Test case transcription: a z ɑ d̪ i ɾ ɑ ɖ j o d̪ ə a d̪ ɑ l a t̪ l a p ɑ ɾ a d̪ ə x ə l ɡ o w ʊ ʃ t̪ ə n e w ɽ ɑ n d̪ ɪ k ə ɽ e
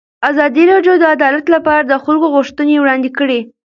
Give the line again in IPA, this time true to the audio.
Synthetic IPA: a z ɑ d̪ i ɾ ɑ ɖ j o d̪ ə a d̪ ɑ l a t̪ l a p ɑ ɾ a d̪ ə x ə l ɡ o ɣ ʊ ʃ t̪ ə n e w ɽ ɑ n d̪ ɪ k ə ɽ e